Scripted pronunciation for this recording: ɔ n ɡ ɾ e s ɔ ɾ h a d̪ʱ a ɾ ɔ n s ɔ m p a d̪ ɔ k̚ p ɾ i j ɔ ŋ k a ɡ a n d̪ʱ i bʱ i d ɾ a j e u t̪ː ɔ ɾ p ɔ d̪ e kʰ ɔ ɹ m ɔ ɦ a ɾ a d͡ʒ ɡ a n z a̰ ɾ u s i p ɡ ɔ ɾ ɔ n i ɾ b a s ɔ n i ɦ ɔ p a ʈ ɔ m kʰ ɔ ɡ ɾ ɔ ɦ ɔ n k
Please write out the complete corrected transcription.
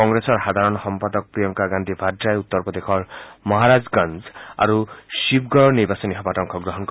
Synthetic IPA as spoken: ɔ ŋ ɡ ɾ e s ɔ ɾ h a d̪ʱ a ɾ ɔ n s ɔ m p a d̪ ɔ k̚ p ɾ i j ɔ ŋ k a ɡ a n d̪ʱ i bʱ a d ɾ a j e u t̪ː ɔ ɾ p ɔ d̪ e kʰ ɔ ɾ m ɔ ɦ a ɾ a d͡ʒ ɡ a n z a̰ ɾ u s i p ɡ ɔ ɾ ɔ n i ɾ b a s ɔ n i ɦ ɔ p a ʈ ɔ ŋ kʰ ɔ ɡ ɾ ɔ ɦ ɔ n k